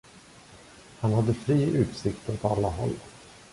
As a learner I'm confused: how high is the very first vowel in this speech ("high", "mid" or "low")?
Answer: low